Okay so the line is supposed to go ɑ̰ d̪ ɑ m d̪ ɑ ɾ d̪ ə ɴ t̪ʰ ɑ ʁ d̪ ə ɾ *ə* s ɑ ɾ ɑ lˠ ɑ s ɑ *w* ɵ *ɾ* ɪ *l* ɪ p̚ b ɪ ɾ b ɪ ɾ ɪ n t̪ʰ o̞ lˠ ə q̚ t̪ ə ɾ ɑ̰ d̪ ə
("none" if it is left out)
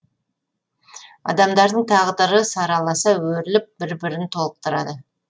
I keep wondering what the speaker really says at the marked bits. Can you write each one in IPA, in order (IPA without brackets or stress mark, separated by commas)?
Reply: ə, w, ɾ, l